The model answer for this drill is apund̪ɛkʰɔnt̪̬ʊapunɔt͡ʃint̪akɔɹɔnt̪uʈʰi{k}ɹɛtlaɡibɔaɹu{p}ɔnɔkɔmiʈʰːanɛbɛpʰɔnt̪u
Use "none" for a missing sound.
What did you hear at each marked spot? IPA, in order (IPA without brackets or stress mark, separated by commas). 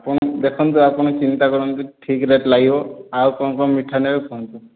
k, k